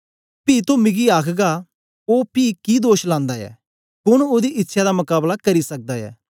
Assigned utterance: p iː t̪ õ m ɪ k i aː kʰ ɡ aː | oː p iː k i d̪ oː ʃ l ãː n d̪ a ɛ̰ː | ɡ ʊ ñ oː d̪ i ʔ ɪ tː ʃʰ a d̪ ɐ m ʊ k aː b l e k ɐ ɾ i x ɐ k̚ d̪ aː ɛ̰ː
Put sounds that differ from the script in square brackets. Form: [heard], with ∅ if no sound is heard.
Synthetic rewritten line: p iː t̪ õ m ɪ [ɡ] i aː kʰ ɡ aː | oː p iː k i d̪ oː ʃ l ãː n d̪ a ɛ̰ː | [k] ʊ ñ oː d̪ i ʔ ɪ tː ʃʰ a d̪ [a] m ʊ k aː b l [a] k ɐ ɾ i [s] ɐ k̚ d̪ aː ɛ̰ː